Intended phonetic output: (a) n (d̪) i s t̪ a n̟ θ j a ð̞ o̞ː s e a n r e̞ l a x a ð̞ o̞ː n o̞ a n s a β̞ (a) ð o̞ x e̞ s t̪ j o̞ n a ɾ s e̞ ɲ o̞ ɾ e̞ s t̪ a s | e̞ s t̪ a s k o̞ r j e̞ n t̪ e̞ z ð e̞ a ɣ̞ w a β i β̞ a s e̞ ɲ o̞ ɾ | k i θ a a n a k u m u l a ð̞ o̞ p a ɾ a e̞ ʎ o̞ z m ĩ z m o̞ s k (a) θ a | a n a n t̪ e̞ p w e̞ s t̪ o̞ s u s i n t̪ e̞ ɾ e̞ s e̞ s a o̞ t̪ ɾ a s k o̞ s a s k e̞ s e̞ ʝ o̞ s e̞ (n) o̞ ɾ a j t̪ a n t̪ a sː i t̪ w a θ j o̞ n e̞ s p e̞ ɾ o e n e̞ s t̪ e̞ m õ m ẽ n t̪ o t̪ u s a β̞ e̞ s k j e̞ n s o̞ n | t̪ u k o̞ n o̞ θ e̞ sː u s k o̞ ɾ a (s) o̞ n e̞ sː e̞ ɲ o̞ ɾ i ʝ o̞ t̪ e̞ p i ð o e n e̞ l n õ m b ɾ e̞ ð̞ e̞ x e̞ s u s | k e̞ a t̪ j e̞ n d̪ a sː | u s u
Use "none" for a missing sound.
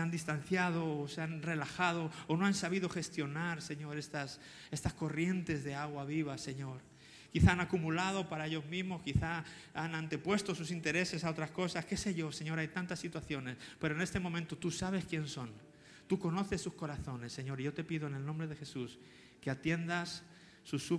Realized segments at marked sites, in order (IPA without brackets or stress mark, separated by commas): a, d̪, i, i, ɲ, θ